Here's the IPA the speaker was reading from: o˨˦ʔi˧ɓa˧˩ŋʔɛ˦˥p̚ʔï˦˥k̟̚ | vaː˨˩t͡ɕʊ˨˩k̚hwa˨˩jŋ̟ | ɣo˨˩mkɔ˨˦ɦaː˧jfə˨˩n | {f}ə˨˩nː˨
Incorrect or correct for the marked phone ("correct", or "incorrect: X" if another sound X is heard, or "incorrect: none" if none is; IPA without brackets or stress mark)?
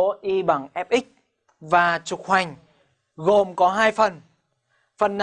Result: correct